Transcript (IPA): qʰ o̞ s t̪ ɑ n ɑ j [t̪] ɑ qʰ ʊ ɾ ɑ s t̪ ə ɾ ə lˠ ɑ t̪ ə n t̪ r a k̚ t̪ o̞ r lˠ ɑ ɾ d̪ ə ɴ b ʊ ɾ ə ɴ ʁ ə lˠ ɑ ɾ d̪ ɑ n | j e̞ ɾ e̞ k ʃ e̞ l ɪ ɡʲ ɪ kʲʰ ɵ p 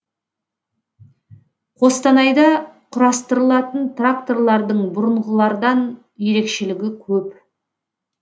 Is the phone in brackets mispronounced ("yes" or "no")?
yes